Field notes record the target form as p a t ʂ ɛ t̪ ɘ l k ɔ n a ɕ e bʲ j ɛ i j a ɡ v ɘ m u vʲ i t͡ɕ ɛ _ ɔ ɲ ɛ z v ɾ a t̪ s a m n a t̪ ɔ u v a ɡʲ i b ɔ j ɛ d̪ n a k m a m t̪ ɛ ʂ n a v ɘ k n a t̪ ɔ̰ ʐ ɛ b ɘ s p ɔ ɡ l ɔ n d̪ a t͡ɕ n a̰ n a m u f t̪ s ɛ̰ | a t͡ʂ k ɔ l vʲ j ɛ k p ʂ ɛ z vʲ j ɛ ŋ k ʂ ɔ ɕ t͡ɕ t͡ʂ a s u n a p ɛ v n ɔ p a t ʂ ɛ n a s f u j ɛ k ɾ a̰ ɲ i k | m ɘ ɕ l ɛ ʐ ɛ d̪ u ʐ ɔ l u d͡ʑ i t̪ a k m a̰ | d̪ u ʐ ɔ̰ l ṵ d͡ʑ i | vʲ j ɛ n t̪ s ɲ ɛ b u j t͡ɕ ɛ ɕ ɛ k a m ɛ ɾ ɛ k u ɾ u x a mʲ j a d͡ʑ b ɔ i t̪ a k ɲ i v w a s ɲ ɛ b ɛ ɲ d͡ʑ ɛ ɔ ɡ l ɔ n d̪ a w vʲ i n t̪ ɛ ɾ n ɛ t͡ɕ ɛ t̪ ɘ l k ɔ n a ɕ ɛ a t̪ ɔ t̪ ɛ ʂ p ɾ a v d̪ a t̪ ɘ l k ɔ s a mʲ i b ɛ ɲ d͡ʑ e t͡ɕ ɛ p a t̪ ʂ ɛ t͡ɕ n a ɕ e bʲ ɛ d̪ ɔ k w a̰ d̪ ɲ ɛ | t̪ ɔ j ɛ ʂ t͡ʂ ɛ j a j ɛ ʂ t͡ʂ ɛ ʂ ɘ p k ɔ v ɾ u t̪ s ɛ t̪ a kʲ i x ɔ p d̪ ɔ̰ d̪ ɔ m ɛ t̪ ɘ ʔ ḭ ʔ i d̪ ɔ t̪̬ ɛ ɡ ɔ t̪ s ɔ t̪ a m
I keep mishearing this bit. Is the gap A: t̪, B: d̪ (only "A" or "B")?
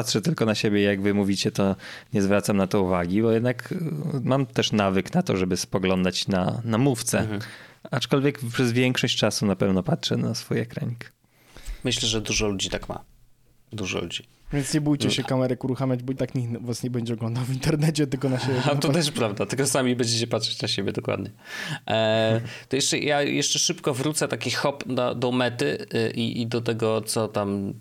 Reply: A